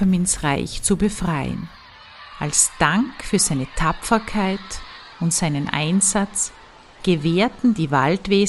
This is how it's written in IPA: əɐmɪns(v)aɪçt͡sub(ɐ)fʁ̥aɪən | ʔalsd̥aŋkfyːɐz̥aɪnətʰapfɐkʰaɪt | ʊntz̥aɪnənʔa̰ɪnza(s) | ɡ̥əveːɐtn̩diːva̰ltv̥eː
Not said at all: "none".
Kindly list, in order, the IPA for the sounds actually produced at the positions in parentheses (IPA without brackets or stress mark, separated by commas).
ʁ, ə, t͡s